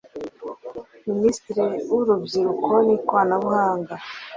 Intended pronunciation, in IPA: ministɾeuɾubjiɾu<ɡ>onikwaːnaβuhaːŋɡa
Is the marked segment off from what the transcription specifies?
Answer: yes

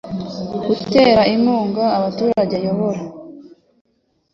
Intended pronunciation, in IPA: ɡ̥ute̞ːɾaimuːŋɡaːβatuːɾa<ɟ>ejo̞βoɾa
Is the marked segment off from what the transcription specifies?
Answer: no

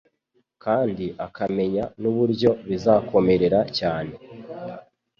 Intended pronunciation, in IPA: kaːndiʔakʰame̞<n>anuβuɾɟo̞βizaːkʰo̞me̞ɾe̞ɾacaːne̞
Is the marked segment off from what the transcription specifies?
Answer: yes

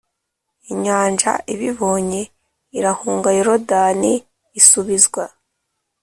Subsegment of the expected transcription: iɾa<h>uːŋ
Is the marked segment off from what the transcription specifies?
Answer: no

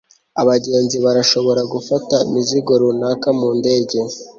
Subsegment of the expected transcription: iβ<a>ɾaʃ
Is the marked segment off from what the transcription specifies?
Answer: no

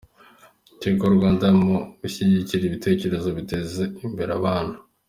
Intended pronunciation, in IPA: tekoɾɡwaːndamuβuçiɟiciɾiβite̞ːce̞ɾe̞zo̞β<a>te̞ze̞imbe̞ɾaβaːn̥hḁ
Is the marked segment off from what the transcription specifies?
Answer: yes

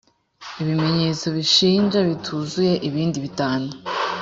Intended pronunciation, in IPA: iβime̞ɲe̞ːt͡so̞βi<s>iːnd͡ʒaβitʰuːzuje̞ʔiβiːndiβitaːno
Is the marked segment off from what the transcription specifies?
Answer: yes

